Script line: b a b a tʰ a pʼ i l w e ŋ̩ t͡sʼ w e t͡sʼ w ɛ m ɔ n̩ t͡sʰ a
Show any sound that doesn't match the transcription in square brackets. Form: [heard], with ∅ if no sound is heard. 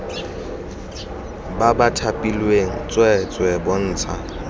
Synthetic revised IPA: b a b a tʰ a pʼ i l w e ŋ̩ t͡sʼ w [ɛ] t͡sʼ w ɛ [b] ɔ [n̩ː] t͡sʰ a